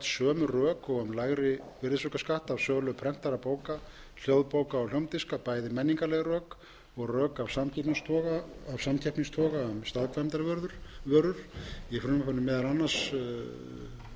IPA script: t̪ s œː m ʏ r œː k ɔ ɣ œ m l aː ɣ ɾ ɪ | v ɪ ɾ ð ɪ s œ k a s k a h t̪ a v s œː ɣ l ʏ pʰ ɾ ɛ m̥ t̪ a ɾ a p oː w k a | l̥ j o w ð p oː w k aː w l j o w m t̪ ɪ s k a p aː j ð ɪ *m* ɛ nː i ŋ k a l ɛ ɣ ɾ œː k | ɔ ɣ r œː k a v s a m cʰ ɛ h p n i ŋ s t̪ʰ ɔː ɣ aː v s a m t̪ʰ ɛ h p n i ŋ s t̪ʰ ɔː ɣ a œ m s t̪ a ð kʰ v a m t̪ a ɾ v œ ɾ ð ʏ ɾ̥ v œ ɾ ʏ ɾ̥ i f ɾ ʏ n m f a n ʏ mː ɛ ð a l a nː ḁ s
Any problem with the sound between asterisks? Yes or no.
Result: no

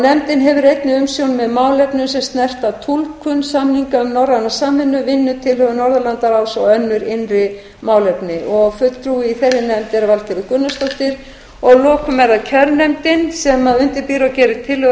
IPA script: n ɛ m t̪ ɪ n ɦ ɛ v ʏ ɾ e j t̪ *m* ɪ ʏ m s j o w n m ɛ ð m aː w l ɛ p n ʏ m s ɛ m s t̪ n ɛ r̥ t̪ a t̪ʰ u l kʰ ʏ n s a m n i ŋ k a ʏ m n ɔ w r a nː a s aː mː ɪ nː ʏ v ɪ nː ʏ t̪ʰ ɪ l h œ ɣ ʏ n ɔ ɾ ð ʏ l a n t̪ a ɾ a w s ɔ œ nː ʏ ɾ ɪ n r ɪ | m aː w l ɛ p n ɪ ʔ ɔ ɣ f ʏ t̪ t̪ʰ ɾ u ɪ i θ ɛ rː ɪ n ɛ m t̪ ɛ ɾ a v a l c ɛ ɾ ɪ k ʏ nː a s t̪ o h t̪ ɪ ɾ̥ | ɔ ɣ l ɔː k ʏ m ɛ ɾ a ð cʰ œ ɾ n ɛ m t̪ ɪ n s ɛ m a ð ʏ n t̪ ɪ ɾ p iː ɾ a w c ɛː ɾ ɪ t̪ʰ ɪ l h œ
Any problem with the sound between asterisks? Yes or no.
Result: yes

